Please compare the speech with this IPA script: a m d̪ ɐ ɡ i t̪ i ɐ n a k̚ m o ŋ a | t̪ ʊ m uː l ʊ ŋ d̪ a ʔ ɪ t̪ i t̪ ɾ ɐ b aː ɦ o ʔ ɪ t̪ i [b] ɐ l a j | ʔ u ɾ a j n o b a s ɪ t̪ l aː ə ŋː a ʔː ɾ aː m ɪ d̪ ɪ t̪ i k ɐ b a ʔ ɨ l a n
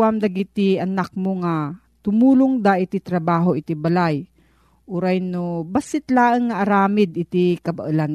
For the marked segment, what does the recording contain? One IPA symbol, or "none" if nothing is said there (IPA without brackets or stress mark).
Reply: b